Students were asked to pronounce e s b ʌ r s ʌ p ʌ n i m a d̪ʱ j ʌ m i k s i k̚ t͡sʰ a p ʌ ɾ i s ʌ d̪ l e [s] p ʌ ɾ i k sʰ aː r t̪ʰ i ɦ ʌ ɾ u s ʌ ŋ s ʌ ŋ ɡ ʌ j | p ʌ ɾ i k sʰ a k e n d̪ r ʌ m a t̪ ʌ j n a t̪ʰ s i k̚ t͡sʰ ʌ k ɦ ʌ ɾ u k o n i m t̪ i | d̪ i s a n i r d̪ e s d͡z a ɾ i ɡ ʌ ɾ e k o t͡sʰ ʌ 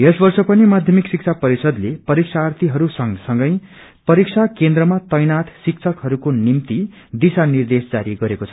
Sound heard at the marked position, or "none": none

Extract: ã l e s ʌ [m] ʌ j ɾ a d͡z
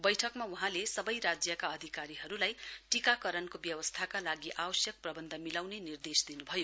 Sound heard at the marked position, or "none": b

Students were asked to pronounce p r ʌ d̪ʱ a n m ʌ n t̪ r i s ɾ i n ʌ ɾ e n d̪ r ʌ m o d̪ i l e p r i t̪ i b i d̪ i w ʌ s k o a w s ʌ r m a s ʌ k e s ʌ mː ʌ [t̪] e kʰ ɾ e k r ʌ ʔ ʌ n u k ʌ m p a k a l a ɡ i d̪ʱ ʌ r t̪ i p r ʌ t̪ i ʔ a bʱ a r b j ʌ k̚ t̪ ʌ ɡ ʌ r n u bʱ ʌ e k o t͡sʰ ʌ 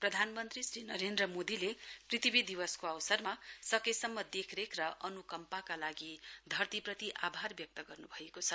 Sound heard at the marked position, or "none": d̪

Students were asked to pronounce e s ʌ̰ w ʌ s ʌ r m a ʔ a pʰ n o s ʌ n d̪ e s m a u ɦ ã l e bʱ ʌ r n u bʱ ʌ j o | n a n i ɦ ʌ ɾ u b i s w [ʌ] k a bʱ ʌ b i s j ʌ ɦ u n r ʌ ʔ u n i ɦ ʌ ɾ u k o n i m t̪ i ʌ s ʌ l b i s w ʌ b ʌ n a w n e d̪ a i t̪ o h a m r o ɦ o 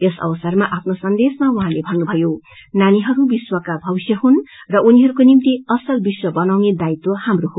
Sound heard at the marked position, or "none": ʌ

